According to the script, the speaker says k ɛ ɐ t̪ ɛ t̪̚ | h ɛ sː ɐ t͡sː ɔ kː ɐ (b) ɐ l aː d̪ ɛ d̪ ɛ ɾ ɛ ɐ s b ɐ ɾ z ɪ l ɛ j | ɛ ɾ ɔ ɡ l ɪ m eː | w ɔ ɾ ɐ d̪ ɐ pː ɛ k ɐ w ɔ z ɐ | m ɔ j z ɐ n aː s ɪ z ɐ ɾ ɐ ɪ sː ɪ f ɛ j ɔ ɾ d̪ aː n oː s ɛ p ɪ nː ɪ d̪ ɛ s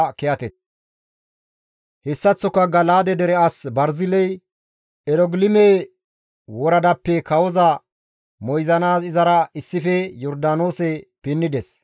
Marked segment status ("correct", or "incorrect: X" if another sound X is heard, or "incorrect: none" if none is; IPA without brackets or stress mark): incorrect: ɡ